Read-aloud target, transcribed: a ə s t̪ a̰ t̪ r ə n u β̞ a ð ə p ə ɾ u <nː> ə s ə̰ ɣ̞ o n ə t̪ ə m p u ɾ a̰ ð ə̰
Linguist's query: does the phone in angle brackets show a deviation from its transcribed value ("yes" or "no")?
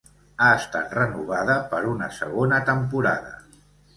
yes